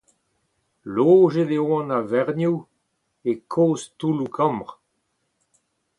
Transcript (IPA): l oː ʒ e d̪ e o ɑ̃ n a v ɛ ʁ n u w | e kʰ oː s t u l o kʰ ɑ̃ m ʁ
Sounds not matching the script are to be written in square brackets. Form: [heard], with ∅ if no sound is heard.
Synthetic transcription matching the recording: l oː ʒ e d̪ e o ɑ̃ n a v ɛ ʁ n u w | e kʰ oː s t u l [u] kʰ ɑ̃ m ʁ